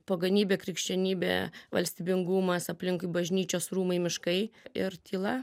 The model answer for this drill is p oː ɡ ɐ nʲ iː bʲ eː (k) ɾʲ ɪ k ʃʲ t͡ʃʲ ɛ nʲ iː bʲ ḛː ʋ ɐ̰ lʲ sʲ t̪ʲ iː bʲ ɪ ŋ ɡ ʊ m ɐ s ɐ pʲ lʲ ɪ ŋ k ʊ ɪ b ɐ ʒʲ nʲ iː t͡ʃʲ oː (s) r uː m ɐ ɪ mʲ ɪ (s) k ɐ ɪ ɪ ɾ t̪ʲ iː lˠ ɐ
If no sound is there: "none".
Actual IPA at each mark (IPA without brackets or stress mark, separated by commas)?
k, s, ʃ